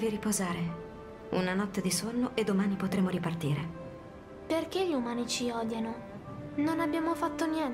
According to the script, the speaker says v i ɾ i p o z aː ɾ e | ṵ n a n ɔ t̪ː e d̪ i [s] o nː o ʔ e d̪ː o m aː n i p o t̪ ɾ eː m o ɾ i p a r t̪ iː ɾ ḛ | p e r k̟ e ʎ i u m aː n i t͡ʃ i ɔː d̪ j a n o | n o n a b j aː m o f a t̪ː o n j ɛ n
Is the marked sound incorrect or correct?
correct